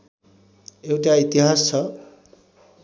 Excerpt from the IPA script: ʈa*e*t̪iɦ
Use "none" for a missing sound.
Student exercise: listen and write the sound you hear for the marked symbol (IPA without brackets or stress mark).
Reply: i